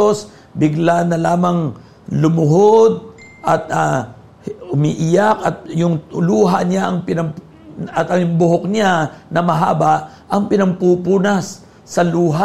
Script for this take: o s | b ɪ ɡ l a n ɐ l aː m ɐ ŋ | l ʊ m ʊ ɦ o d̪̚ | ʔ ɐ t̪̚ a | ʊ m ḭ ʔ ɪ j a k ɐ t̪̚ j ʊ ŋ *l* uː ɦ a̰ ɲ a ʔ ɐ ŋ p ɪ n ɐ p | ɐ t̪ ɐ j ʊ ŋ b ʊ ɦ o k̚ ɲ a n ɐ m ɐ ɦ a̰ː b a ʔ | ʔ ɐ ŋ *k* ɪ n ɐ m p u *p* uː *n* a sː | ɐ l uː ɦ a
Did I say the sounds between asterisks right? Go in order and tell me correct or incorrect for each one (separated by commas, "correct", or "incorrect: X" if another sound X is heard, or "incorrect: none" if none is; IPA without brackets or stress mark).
correct, incorrect: p, correct, correct